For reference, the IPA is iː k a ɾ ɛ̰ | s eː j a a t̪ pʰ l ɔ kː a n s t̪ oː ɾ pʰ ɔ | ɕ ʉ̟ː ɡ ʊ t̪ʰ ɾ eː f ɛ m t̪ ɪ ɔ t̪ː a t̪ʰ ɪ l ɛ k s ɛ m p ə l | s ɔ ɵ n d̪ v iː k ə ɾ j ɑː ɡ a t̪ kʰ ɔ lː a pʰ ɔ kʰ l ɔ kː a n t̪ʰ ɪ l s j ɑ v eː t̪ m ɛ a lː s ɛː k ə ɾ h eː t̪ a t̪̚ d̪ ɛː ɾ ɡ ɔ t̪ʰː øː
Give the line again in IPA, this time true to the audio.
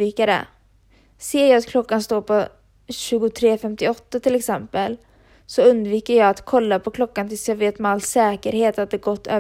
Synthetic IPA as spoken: iː k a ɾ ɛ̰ | s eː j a a t̪ kʰ l ɔ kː a n s t̪ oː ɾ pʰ ɔ | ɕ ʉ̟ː ɡ ʊ t̪ʰ ɾ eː f ɛ m t̪ ɪ ɔ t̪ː a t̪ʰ ɪ l ɛ k s ɛ m p ə l | s ɔ ɵ n d̪ v iː k ə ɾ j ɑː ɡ a t̪ kʰ ɔ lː a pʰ ɔ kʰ l ɔ kː a n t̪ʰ ɪ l s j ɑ v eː t̪ m ɛ a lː s ɛː k ə ɾ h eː t̪ a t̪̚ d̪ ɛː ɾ ɡ ɔ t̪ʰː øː